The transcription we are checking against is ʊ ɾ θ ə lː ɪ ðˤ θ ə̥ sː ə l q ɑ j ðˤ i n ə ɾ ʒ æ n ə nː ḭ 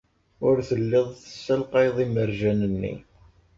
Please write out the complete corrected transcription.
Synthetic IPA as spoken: ʊ ɾ θ ə lː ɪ ðˤ θ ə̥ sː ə l q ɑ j ðˤ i m ə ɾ ʒ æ n ə nː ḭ